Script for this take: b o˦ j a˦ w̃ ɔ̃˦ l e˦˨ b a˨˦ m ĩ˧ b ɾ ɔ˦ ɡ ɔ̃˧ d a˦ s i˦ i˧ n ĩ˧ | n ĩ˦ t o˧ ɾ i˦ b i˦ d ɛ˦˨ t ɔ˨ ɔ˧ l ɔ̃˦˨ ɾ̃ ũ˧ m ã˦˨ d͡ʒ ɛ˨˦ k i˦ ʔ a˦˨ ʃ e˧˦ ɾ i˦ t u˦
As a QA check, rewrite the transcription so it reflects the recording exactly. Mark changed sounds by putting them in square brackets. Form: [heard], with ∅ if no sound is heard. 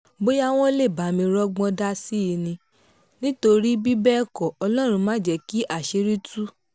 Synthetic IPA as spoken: b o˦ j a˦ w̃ ɔ̃˦ l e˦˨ b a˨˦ m ĩ˧ [∅] ɾ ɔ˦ [ɡ͡b] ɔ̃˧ d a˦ s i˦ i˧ n ĩ˧ | n ĩ˦ t o˧ ɾ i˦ b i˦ [b] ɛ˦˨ [k] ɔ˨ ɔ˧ l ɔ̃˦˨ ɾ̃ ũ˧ m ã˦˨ d͡ʒ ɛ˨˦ k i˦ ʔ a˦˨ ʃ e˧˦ ɾ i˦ t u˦